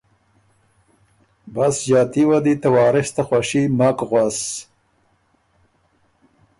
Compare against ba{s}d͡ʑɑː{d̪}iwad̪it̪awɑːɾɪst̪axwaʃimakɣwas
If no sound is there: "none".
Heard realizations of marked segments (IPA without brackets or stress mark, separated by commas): s, t̪